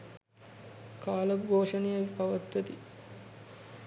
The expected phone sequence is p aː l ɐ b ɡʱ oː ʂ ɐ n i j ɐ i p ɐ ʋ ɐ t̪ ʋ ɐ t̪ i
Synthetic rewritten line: k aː l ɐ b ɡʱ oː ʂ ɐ n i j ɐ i p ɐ ʋ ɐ t̪ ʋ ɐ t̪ i